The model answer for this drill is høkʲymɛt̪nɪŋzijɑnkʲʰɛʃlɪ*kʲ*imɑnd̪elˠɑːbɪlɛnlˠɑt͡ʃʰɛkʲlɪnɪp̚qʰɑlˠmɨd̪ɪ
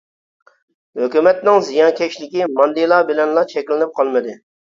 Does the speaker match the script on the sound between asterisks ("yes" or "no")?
yes